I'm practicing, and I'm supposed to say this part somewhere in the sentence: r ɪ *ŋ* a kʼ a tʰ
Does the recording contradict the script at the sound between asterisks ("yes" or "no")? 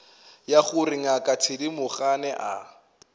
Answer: no